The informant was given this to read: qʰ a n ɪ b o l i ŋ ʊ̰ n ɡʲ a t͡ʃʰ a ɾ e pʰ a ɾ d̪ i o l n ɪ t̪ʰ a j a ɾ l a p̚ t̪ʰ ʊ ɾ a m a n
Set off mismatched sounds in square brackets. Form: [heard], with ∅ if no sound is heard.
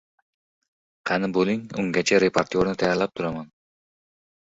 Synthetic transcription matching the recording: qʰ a n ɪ b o l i ŋ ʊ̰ [ŋ] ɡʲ a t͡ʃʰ a ɾ e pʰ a ɾ [t̪] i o [ɾ] n ɪ t̪ʰ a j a ɾ l a p̚ t̪ʰ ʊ ɾ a m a n